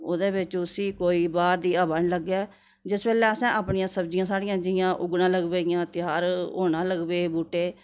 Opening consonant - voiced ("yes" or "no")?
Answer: yes